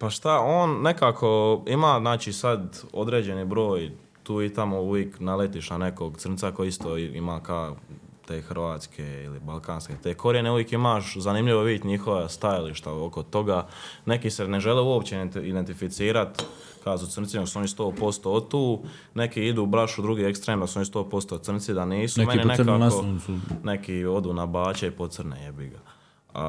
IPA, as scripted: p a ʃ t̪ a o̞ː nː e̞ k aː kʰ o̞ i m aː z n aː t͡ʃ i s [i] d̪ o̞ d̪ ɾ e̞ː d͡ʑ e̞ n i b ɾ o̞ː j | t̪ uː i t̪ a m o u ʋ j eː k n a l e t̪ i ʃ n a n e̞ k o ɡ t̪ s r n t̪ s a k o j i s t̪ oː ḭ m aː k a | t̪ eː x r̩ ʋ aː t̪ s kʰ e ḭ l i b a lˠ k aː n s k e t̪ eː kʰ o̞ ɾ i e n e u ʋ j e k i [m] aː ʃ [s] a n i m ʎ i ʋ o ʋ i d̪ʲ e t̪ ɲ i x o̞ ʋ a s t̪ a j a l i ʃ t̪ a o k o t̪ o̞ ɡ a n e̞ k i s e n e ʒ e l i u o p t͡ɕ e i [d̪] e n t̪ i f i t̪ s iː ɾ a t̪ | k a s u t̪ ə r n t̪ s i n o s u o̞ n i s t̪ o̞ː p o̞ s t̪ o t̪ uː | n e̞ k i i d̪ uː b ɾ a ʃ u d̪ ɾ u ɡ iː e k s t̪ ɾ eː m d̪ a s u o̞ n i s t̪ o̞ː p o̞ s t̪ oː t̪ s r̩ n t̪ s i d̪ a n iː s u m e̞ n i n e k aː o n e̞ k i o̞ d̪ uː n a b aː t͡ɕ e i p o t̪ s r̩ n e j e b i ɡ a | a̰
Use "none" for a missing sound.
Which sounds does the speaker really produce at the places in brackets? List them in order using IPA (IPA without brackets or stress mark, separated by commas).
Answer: a, m, z, d̪